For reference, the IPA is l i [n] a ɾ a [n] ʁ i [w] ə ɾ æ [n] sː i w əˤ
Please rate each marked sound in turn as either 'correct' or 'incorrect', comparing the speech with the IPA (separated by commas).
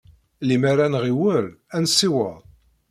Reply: incorrect, correct, correct, correct